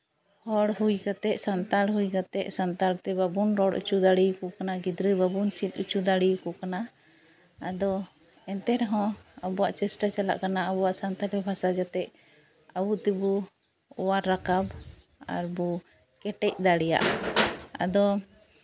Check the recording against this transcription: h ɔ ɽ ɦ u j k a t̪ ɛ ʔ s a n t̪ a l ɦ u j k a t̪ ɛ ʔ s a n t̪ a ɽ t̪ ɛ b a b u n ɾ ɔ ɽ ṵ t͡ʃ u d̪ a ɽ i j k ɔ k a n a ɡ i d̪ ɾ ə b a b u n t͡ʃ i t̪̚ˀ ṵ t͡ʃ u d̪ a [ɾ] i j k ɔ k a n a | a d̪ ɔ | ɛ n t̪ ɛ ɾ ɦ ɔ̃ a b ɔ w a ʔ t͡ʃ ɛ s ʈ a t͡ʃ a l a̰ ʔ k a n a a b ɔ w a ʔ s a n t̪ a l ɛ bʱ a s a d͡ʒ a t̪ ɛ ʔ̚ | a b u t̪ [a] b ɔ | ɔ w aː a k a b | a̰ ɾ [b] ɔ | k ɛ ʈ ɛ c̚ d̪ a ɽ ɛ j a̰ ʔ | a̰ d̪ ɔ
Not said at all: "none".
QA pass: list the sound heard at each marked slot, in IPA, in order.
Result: ɽ, ɛ, b

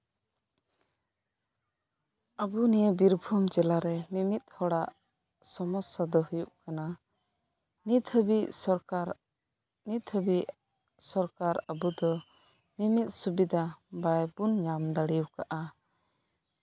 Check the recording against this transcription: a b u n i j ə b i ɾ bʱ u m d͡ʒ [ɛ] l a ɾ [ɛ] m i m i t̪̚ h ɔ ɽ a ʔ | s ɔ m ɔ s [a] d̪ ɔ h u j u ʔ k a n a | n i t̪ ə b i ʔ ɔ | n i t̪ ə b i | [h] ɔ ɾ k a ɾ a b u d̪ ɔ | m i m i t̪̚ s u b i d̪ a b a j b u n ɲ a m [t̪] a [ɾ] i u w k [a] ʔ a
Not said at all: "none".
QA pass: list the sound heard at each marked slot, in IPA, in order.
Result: ɛ, ɛ, a, s, d̪, ɽ, a

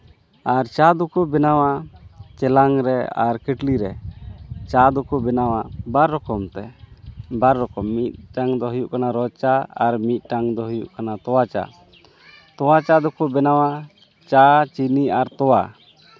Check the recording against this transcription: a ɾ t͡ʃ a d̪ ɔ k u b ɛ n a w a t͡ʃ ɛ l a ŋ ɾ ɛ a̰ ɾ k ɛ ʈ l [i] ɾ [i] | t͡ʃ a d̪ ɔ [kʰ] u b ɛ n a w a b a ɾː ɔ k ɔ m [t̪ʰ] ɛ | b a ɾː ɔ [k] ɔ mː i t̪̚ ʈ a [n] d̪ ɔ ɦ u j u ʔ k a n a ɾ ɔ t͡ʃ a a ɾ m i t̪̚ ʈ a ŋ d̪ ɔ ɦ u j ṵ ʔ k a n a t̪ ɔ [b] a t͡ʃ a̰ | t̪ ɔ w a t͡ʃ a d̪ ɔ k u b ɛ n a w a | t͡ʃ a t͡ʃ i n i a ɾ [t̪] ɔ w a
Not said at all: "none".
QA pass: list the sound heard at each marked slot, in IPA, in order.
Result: i, ɛ, k, t̪, k, ŋ, w, t̪

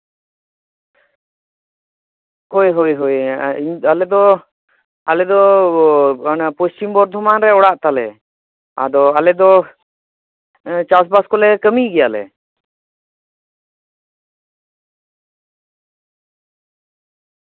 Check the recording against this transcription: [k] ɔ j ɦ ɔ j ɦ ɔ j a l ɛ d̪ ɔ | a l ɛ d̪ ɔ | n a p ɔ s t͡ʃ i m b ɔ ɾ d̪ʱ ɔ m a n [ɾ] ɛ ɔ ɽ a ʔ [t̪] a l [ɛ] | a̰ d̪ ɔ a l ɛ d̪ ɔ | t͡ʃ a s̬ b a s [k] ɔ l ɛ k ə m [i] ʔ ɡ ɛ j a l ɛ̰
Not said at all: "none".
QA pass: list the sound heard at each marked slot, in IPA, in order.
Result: k, ɾ, t̪, ɛ, k, i

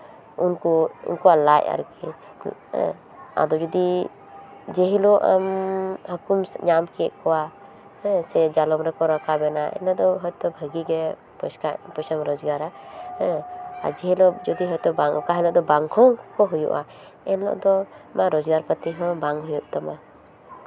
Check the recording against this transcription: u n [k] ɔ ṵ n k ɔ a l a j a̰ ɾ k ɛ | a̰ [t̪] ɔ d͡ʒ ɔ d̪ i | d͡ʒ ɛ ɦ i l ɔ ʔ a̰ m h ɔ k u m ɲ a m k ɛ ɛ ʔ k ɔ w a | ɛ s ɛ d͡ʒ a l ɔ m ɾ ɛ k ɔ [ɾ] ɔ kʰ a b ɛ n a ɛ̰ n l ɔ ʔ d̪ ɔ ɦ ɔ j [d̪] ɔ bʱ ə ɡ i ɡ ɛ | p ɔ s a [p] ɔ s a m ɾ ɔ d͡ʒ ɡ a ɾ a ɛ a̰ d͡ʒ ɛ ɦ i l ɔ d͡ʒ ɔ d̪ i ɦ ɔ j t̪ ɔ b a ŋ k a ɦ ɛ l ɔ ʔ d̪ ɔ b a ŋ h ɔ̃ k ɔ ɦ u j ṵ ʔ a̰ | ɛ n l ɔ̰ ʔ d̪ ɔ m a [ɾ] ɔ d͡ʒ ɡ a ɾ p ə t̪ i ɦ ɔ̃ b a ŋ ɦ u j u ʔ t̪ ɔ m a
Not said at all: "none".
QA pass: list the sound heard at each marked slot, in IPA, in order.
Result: k, d̪, ɾ, t̪, p, ɾ

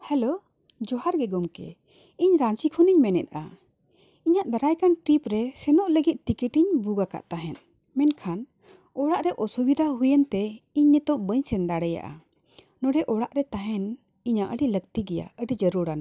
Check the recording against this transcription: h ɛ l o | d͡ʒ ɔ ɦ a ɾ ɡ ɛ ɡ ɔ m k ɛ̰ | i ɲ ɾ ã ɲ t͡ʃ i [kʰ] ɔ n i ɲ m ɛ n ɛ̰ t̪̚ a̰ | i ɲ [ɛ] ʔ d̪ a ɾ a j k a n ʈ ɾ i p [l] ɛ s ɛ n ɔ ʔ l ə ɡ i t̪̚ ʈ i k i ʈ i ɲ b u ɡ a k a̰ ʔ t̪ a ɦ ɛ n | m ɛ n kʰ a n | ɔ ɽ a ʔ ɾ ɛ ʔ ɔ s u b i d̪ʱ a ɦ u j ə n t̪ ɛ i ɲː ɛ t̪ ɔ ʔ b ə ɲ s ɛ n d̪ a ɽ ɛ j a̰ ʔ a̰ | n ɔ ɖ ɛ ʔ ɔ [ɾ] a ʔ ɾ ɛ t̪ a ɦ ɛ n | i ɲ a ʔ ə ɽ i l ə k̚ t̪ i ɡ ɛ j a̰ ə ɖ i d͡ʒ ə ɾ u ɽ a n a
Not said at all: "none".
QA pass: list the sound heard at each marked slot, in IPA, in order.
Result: kʰ, a, ɾ, ɽ

